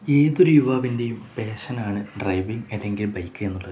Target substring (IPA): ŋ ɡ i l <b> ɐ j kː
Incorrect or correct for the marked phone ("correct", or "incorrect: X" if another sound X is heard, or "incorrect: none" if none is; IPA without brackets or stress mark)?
correct